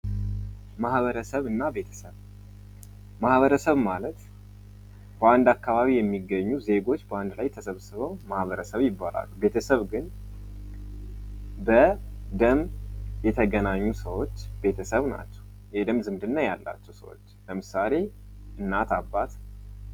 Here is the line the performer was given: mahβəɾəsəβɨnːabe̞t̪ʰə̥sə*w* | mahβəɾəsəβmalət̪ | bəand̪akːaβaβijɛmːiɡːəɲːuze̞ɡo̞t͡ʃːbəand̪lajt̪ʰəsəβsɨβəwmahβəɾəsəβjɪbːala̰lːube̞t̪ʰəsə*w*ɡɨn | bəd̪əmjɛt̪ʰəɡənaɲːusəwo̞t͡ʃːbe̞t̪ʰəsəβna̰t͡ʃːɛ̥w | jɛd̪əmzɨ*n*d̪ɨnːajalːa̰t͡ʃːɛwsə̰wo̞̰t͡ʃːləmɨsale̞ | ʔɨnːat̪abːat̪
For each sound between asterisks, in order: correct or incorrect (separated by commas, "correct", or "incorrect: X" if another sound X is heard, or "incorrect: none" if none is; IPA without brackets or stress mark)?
incorrect: β, incorrect: β, incorrect: m